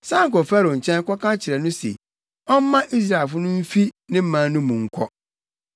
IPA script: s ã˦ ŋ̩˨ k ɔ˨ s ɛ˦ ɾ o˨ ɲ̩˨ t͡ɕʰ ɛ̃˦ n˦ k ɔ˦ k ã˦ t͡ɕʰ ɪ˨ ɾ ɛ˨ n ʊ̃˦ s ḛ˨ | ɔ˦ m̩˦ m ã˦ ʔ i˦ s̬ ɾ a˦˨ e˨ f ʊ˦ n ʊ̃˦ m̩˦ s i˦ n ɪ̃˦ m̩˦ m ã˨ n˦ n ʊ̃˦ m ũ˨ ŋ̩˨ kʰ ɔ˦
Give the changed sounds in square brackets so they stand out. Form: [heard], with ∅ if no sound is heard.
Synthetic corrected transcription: s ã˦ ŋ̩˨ k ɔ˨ [f] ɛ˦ ɾ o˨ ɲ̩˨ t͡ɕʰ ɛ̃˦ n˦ k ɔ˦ k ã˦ t͡ɕʰ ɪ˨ ɾ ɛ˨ n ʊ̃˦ s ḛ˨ | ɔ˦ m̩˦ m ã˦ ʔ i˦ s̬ ɾ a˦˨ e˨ f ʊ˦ n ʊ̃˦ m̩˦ [f] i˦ n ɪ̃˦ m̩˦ m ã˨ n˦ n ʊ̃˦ m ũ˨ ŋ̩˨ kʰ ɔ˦